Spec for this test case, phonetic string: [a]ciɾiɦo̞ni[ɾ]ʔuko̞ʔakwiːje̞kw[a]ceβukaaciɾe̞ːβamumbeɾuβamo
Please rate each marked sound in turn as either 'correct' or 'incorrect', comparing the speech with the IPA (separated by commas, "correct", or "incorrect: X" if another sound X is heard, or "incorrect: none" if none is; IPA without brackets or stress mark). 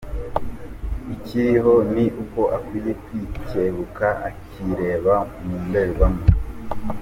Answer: incorrect: i, incorrect: none, incorrect: i